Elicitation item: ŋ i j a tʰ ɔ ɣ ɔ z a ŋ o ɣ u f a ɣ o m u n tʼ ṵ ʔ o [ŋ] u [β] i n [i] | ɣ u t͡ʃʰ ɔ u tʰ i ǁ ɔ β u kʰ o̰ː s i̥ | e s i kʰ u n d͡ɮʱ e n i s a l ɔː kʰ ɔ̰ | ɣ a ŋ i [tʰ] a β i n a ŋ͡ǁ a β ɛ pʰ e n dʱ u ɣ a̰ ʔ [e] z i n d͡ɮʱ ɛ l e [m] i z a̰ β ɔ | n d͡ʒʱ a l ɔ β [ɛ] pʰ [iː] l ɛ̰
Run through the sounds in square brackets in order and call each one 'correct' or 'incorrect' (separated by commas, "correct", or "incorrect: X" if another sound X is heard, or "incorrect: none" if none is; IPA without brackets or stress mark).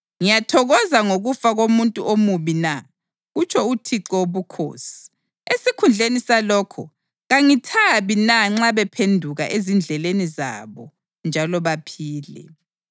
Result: incorrect: m, correct, incorrect: a, correct, correct, incorrect: n, incorrect: a, correct